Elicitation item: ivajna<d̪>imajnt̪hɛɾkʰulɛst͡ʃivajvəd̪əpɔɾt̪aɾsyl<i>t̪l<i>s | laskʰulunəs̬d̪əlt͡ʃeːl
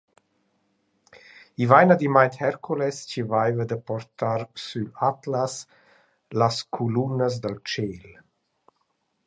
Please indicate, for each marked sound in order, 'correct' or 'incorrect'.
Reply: correct, incorrect, incorrect

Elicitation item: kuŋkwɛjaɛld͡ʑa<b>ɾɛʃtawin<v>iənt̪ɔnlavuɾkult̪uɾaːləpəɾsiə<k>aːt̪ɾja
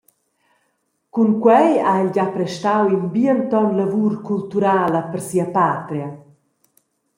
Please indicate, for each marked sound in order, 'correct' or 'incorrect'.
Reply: incorrect, incorrect, incorrect

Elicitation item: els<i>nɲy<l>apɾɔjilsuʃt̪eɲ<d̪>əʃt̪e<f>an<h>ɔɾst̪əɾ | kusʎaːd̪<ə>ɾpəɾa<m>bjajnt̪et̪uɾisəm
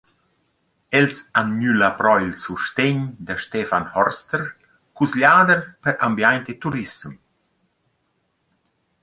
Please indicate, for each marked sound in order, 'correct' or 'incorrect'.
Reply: incorrect, correct, correct, correct, correct, correct, correct

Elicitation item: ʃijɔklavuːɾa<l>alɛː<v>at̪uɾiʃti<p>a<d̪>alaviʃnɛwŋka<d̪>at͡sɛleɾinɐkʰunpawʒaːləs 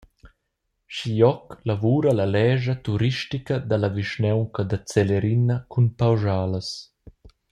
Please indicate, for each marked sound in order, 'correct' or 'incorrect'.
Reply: correct, incorrect, incorrect, correct, correct

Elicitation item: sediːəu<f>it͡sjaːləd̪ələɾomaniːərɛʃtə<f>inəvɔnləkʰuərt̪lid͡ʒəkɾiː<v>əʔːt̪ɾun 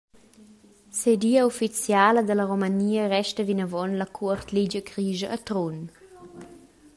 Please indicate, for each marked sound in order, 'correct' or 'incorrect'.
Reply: correct, incorrect, incorrect

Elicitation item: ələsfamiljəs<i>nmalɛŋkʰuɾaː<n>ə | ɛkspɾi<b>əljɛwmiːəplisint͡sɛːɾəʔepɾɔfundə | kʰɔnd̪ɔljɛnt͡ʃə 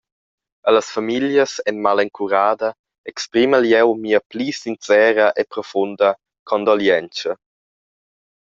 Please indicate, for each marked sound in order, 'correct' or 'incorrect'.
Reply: incorrect, incorrect, incorrect

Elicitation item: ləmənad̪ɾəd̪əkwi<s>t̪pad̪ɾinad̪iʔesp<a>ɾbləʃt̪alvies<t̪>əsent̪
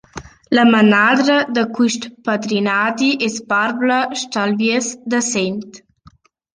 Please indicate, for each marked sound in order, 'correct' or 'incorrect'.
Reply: incorrect, correct, incorrect

